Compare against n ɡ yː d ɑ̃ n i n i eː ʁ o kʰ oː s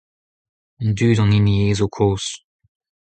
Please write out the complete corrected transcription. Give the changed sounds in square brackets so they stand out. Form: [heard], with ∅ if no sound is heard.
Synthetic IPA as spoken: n [d] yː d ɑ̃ n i n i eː [z] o kʰ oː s